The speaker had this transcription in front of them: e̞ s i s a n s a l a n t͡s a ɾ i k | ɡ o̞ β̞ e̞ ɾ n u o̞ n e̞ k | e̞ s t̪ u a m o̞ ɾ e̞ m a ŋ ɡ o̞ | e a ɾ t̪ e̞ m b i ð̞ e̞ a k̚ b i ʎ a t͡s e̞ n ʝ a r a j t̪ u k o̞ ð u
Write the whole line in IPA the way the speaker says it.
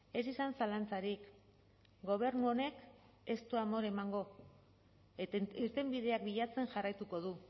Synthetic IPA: e̞ s i s a n s a l a n t͡s a ɾ i k | ɡ o̞ β̞ e̞ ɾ n u o̞ n e̞ k | e̞ s t̪ u a m o̞ ɾ e̞ m a ŋ ɡ o̞ | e i ɾ t̪ e̞ m b i ð̞ e̞ a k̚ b i ʎ a t͡s e̞ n ʝ a r a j t̪ u k o̞ ð u